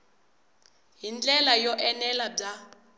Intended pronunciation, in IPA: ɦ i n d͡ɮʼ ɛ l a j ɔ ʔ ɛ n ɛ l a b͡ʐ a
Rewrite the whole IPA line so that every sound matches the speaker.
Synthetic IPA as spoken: ɦ i n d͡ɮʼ ɛ l a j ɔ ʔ ɛ n ɛ l a b͡ʐ a